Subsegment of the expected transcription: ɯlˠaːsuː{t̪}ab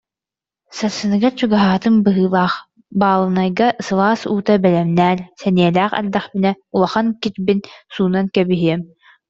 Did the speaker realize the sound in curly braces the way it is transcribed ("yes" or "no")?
yes